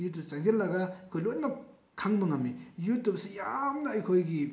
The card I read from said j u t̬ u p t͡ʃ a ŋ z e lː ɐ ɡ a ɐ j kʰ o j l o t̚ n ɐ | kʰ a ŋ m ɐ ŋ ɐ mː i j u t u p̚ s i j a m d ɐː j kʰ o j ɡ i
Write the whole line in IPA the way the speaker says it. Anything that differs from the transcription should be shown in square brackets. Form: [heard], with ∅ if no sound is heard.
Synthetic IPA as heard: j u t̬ u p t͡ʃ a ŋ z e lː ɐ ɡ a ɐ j kʰ o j l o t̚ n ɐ | kʰ a ŋ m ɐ ŋ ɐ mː i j u t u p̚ s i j a m [n] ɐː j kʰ o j ɡ i